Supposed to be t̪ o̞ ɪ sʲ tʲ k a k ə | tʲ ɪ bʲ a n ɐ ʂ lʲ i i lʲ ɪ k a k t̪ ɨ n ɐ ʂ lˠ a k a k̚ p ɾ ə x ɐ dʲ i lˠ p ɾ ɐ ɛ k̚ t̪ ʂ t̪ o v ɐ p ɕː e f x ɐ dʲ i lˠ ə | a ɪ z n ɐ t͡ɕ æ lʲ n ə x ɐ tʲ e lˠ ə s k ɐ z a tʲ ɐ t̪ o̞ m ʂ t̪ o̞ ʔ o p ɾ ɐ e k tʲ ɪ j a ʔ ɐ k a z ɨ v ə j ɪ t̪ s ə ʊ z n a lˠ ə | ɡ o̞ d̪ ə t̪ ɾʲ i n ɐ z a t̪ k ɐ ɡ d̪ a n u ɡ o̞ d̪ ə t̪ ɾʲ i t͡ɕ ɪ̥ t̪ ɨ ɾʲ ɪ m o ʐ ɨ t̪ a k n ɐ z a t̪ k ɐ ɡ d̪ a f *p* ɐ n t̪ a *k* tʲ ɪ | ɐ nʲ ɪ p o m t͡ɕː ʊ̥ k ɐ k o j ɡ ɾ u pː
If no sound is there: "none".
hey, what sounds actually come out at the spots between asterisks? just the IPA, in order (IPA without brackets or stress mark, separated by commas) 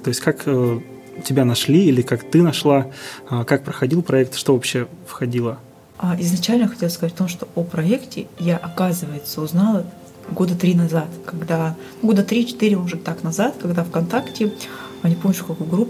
k, k